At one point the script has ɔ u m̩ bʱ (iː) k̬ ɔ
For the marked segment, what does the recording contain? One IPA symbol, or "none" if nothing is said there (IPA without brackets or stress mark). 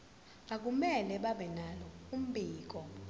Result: iː